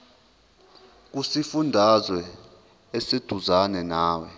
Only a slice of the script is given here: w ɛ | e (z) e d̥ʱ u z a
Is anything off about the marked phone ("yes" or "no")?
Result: yes